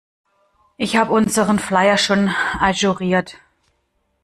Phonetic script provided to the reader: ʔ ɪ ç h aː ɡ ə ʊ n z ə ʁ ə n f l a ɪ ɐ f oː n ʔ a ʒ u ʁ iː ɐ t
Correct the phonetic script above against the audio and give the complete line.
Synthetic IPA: ʔ ɪ ç h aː b ə ʊ n z ə ʁ ə n f l a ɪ ɐ ʃ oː n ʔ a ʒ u ʁ iː ɐ t